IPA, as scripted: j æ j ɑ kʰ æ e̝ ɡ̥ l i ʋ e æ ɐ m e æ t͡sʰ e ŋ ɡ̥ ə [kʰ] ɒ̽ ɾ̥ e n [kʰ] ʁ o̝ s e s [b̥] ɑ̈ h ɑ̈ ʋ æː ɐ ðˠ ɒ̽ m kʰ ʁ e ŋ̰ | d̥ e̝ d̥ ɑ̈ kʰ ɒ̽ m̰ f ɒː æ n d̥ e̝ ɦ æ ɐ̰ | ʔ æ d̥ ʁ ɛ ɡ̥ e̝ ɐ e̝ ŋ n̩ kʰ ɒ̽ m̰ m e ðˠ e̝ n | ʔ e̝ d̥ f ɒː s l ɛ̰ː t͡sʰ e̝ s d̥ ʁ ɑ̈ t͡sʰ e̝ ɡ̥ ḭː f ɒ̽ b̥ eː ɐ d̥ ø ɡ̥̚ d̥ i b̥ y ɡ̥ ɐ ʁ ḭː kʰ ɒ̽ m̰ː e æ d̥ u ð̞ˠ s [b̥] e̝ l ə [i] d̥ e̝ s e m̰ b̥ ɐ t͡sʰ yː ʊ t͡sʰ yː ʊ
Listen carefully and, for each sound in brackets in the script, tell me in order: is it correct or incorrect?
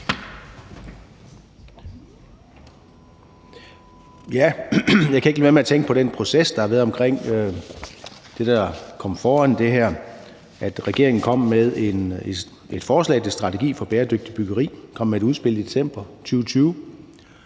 incorrect: pʰ, incorrect: pʰ, incorrect: d̥, correct, correct

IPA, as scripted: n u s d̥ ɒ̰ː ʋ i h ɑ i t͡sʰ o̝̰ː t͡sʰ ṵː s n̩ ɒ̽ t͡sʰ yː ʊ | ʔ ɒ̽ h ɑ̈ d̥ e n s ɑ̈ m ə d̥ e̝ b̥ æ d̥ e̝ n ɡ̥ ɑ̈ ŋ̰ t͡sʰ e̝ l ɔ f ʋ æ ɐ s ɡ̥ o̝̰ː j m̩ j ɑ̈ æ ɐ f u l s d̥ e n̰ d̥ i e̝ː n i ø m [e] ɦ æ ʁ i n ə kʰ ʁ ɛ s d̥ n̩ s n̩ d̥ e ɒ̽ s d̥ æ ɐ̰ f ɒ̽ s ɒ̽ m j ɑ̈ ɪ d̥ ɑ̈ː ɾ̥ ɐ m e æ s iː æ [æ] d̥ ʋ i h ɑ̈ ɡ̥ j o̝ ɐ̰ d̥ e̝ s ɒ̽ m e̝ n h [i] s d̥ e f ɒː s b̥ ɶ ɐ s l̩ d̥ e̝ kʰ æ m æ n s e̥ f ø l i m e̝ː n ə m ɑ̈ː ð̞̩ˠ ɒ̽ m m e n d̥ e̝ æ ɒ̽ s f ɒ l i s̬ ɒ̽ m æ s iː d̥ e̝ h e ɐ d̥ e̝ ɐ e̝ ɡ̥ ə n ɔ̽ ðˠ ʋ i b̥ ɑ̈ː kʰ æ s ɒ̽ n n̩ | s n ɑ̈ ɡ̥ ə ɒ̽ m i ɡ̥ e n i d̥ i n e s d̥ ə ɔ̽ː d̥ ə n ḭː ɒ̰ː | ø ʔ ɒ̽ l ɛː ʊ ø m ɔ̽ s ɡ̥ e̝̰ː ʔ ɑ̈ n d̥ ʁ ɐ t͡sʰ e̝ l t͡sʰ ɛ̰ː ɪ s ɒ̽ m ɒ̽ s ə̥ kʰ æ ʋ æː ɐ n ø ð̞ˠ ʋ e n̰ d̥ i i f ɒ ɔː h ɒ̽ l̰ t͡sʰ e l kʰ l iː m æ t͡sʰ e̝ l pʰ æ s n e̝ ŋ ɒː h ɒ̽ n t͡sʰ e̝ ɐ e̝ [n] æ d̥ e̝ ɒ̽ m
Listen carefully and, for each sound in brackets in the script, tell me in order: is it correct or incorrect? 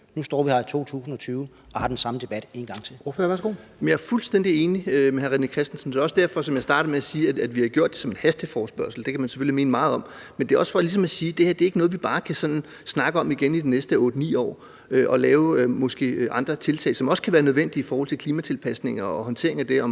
correct, correct, incorrect: æ, incorrect: ŋ

